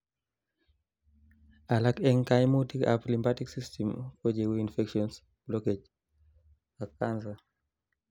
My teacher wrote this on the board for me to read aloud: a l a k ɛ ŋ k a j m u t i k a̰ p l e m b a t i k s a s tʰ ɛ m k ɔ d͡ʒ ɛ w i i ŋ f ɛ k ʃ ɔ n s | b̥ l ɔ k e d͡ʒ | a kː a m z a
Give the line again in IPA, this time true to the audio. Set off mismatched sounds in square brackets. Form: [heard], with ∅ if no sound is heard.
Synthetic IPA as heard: a l a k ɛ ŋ k a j m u t i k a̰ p l [i] m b a t i k s [i] s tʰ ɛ m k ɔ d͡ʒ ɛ w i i [n] f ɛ k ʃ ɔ n s | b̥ l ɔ k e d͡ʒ | a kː a [n] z a